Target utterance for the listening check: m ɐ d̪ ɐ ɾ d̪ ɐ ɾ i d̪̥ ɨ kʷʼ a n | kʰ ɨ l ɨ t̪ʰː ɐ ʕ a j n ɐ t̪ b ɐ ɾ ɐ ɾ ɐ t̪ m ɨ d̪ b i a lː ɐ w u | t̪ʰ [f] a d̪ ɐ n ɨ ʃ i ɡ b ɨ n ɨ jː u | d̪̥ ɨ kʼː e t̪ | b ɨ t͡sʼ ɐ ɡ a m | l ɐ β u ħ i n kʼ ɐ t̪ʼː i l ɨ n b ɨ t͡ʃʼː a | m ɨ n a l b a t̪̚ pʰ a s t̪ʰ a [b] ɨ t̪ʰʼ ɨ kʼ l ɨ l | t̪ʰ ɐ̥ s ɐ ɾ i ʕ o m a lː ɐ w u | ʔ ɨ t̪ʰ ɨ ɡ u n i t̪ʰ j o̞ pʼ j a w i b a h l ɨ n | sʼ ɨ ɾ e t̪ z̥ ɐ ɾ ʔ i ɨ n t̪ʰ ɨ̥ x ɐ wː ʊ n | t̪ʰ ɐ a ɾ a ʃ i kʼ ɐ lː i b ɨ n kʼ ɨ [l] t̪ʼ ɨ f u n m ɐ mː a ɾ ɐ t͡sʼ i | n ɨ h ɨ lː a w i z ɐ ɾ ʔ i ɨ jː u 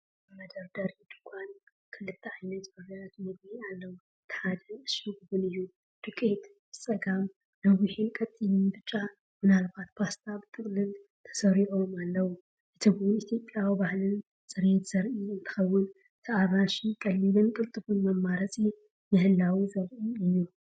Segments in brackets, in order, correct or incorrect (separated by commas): incorrect, correct, correct